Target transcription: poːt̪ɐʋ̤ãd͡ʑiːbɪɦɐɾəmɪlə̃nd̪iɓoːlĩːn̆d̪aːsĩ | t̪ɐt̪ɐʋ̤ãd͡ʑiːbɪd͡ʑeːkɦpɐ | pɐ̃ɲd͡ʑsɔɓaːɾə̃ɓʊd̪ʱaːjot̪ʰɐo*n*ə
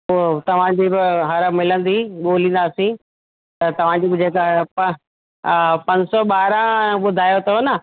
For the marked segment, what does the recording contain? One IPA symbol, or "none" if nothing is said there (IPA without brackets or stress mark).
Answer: n